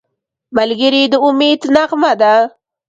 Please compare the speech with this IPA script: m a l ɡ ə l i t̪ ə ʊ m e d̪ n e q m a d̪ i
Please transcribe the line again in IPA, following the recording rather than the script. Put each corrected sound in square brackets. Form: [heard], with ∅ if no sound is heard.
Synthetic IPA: m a l ɡ ə [ɾ] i [d̪] ə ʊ m e d̪ n [a] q m a d̪ [a]